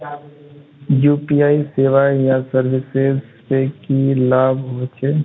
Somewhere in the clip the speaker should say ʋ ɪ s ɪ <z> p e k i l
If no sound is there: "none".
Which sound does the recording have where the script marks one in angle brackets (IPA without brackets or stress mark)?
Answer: z